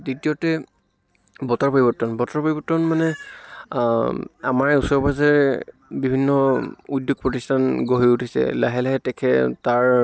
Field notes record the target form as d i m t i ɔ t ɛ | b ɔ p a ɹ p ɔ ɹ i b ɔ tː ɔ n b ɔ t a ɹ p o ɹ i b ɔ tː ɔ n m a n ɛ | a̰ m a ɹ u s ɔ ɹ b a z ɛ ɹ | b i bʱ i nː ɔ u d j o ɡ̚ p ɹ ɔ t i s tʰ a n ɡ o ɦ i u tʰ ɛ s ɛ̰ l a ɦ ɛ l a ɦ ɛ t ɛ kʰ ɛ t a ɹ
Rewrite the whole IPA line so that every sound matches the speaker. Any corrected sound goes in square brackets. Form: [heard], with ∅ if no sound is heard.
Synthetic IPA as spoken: d i [∅] t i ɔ t ɛ | b ɔ [t] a ɹ p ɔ ɹ i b ɔ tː ɔ n b ɔ t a ɹ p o ɹ i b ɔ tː ɔ n m a n ɛ | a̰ m a ɹ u s ɔ ɹ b a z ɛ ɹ | b i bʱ i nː ɔ u d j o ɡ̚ p ɹ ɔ t i s tʰ a n ɡ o ɦ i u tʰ [i] s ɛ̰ l a ɦ ɛ l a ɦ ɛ t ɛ kʰ ɛ t a ɹ